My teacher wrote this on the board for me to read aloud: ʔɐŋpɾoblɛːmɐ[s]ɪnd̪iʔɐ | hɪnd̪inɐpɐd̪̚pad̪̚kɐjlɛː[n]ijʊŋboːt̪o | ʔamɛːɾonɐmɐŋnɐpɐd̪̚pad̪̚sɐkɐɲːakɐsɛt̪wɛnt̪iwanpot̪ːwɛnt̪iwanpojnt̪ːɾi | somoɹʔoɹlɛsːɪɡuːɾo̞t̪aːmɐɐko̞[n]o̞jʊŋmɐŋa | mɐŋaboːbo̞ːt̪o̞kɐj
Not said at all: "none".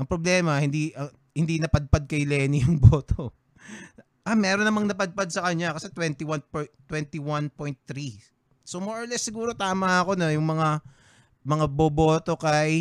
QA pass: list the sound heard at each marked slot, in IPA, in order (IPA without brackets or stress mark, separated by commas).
h, n, n